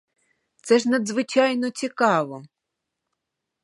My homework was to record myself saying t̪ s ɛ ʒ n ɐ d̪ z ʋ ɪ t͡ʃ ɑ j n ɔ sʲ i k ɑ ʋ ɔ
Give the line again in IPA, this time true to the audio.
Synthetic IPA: t̪ s ɛ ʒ n ɐ d̪ z ʋ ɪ t͡ʃ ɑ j n ɔ t͡sʲ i k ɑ ʋ ɔ